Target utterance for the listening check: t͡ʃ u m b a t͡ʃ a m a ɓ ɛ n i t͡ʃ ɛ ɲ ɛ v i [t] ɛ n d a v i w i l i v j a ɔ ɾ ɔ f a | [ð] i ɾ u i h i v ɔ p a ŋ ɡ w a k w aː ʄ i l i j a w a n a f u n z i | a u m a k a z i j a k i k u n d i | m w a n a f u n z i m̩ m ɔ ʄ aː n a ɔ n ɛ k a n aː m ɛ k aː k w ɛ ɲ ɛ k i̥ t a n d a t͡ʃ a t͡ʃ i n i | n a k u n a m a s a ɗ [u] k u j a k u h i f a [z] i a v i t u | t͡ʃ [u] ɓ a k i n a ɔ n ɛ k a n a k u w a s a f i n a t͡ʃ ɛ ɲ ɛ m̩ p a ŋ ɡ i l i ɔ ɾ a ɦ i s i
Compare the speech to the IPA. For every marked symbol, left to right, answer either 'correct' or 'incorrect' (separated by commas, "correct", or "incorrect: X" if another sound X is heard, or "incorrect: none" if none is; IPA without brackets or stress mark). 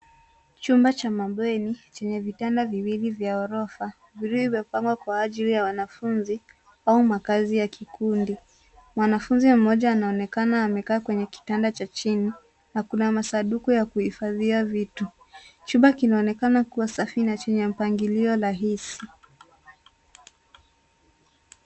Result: correct, incorrect: v, correct, incorrect: ð, correct